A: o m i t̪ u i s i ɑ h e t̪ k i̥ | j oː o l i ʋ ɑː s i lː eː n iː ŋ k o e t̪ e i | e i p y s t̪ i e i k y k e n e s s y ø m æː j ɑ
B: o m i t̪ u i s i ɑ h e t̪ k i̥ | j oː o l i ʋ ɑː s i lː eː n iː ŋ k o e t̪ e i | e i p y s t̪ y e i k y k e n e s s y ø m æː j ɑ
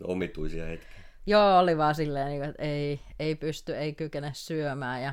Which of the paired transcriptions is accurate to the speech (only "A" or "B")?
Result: B